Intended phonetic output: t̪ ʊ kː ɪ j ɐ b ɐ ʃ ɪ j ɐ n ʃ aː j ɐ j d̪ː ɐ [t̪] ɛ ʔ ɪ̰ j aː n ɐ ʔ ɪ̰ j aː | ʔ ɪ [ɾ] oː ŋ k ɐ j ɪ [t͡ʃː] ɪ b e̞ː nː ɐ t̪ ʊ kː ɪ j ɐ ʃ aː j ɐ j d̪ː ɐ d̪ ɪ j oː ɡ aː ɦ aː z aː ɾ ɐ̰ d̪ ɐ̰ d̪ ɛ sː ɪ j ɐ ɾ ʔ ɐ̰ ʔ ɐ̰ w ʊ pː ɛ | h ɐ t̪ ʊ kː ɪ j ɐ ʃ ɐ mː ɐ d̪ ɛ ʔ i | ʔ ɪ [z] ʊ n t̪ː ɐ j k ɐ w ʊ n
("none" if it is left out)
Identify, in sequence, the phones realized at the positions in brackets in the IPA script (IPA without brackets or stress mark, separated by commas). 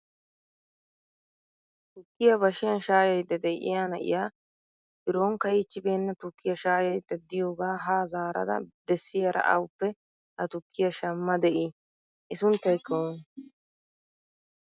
d̪, ɾ, t͡ʃː, s